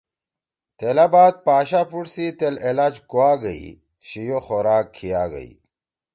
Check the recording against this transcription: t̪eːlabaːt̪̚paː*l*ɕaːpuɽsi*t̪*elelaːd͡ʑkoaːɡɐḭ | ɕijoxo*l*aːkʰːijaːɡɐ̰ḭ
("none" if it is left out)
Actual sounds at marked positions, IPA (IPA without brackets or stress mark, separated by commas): none, t̪, ɾ